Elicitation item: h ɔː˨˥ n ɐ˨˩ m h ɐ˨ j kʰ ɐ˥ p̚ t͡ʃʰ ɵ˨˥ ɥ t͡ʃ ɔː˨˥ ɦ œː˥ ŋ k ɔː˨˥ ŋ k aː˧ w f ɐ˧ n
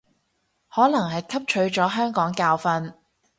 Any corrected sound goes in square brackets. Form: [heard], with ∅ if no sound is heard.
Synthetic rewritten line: h ɔː˨˥ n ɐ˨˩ [ŋ] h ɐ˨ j kʰ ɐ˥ p̚ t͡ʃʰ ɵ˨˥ ɥ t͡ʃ ɔː˨˥ ɦ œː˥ ŋ k ɔː˨˥ ŋ k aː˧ w f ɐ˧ n